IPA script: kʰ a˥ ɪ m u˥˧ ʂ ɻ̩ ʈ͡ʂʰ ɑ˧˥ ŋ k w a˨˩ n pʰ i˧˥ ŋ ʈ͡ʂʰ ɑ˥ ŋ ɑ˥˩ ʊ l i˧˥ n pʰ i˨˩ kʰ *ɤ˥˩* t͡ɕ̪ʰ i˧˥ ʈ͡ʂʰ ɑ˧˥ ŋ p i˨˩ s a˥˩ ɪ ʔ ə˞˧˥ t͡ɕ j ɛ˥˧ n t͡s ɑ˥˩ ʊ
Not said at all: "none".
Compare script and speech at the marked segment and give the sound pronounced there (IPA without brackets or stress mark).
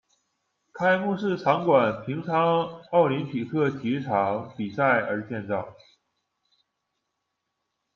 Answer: ɤ˥˩